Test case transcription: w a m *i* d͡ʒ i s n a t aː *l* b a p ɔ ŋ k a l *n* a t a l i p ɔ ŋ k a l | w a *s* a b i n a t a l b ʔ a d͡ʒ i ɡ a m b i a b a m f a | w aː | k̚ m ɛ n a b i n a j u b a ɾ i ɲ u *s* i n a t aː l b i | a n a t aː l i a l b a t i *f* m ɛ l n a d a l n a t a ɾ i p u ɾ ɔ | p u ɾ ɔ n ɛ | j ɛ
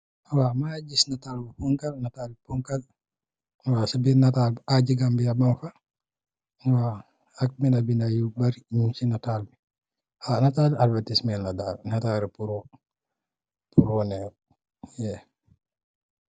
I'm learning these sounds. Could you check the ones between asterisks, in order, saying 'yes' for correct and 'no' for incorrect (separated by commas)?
no, yes, yes, yes, yes, no